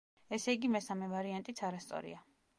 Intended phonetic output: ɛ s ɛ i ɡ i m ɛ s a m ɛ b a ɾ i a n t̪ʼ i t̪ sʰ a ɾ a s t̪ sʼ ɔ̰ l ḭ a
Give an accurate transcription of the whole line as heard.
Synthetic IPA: ɛ s ɛ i ɡ i m ɛ s a m ɛ v a ɾ i a n t̪ʼ i t̪ sʰ a ɾ a s t̪ sʼ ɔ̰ ɾ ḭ a